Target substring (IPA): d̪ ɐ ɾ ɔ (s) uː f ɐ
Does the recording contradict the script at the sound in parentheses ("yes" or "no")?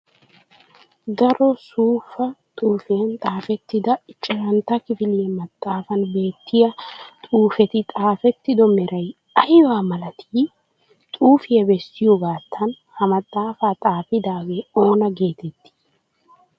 no